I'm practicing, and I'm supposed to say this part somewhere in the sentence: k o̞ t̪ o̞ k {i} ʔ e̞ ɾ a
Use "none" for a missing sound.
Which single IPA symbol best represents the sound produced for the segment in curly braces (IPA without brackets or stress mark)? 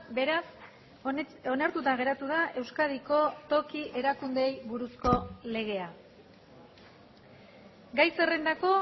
i